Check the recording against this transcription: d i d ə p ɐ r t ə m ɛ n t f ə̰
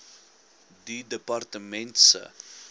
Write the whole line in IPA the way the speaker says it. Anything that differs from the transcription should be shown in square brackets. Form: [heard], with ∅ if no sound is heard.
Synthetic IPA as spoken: d i d ə p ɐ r t ə m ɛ n t [s] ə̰